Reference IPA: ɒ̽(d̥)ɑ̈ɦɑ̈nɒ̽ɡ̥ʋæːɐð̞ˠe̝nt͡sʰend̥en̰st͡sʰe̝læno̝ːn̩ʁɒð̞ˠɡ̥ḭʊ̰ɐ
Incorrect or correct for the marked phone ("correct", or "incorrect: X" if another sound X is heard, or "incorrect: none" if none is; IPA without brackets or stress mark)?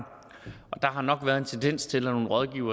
correct